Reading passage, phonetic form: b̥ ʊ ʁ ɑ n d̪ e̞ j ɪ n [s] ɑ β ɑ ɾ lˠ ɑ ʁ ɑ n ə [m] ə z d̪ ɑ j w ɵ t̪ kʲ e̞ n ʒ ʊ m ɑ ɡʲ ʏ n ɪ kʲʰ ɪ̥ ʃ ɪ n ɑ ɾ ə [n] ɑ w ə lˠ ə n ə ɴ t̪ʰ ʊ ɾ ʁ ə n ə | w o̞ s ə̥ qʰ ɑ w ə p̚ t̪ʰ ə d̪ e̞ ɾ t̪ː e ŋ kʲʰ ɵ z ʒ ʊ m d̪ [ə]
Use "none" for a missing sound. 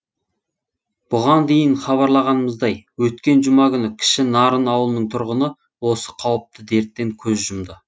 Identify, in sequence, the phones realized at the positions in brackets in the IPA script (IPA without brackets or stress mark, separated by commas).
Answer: χ, m, n, ə